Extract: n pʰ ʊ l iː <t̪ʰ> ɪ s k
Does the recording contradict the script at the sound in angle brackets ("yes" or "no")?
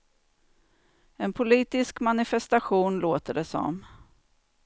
yes